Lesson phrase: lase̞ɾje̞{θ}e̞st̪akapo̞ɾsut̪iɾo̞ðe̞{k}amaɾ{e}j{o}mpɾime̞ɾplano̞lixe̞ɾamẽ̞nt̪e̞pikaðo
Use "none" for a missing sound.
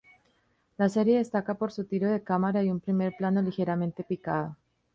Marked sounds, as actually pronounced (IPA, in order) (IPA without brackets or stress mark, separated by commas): ð, k, a, u